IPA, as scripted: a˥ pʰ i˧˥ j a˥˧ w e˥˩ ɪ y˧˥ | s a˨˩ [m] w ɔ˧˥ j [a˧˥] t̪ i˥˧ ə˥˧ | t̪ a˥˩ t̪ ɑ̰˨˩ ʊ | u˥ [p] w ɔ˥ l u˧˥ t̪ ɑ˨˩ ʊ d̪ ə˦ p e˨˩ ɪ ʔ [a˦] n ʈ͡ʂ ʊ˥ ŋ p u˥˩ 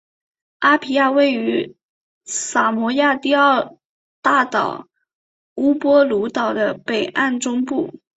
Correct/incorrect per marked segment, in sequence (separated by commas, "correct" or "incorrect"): correct, incorrect, correct, incorrect